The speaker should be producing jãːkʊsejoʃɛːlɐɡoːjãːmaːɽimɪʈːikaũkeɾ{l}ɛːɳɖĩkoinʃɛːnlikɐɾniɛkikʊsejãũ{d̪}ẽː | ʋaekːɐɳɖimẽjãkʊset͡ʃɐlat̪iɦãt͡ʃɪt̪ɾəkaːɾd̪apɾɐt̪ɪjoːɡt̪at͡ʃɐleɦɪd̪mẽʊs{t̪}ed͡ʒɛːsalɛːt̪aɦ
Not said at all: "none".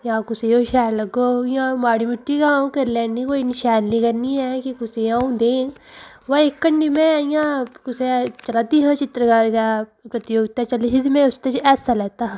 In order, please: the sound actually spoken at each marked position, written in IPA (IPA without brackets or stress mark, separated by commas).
l, d̪, t̪